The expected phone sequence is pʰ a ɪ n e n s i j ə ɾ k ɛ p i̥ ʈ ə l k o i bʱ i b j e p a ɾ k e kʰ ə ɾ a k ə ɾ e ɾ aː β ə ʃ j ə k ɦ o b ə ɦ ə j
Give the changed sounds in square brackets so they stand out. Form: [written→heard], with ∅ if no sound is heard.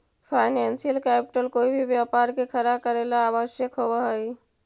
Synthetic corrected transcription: pʰ a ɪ n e n s i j ə [ɾ→l] k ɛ p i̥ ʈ ə l k o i bʱ i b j [e→a] p a ɾ k e kʰ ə ɾ a k ə ɾ e [ɾ→l] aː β ə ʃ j ə k ɦ o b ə ɦ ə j

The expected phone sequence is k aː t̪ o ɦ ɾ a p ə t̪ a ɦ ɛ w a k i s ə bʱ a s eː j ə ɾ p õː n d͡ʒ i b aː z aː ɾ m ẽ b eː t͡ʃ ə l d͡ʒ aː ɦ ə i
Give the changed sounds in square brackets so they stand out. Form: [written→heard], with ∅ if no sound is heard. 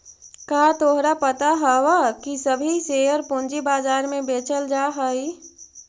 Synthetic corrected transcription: k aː t̪ o ɦ ɾ a p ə t̪ a ɦ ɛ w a k i s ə bʱ [a→i] s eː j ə ɾ p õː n d͡ʒ i b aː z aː ɾ m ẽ b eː t͡ʃ ə l d͡ʒ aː ɦ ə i

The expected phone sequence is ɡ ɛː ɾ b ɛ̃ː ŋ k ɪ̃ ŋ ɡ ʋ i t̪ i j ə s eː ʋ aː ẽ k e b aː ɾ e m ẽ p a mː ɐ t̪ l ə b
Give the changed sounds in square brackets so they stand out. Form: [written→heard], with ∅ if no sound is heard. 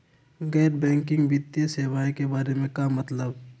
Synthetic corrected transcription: ɡ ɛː ɾ b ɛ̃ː ŋ k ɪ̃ ŋ ɡ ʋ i t̪ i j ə s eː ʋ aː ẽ k e b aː ɾ e m ẽ [p→k] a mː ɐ t̪ l ə b

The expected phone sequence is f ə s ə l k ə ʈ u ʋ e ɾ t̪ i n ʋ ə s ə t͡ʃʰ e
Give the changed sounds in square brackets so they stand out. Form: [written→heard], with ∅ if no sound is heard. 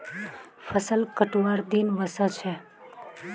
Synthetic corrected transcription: f ə s ə l k ə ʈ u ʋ [e→a] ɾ [t̪→d̪] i n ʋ ə s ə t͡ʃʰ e

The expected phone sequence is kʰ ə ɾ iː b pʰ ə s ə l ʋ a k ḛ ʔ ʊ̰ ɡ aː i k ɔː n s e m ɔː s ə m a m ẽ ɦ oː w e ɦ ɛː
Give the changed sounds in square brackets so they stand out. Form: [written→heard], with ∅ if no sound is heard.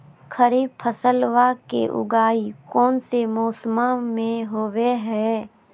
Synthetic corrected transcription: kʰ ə ɾ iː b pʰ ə s ə l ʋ a k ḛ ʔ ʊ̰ ɡ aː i k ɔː n s e m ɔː s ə m a m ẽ ɦ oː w e ɦ ɛː

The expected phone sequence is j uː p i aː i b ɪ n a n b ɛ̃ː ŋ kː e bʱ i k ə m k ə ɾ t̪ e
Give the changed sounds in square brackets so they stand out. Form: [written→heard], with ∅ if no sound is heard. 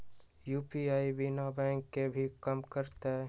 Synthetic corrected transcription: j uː p i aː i b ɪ n a [n→∅] b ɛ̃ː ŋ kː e bʱ i k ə m k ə ɾ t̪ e

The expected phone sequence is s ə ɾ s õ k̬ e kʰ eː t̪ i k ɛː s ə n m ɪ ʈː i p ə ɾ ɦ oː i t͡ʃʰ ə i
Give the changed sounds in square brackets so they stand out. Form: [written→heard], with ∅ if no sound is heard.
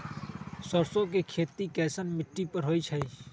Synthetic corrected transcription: s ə ɾ s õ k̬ e kʰ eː t̪ i k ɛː s ə n m ɪ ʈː i p ə ɾ ɦ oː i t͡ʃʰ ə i

